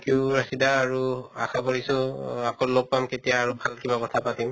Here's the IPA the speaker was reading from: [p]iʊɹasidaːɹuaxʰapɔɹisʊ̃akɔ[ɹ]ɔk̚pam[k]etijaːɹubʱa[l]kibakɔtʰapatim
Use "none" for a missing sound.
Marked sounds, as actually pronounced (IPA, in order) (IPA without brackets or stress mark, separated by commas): k, l, k, l